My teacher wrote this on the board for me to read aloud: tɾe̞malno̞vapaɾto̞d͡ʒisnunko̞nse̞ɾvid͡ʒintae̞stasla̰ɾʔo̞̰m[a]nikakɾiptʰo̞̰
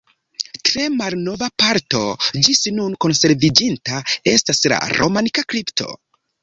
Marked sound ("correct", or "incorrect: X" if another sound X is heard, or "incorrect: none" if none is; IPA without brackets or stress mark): correct